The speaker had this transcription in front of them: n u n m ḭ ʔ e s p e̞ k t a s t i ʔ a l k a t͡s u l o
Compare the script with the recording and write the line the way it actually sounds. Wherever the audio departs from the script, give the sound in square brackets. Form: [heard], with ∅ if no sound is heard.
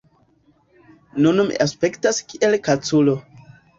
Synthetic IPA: n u n m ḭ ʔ [a] s p e̞ k t a s [k] i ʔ [e] l k a t͡s u l o